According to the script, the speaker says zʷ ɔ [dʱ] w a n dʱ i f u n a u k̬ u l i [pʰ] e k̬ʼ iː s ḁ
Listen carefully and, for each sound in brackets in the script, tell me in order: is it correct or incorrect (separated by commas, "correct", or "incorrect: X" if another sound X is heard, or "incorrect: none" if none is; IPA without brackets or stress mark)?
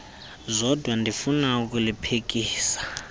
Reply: correct, correct